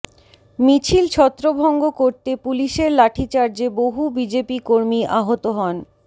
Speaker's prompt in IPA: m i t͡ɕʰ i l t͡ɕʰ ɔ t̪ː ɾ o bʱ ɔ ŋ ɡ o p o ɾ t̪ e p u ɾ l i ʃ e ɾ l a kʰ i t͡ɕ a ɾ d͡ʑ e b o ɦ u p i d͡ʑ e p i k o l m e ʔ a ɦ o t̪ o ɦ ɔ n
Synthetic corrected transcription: m i t͡ɕʰ i l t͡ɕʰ ɔ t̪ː ɾ o bʱ ɔ ŋ ɡ o k o ɾ t̪ e p u l i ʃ e ɾ l a ʈʰ i t͡ɕ a ɾ d͡ʑ e b o ɦ u b i d͡ʑ e p i k o ɾ m i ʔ a ɦ o t̪ o ɦ ɔ n